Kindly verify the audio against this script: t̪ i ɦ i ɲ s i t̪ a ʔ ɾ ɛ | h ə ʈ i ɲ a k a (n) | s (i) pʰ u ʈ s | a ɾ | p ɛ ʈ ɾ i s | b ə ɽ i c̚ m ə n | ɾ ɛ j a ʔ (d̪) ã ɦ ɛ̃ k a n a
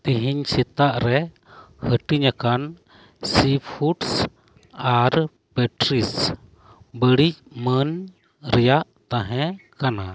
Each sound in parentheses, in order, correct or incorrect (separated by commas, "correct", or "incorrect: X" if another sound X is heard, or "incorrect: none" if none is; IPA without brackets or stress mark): correct, correct, incorrect: t̪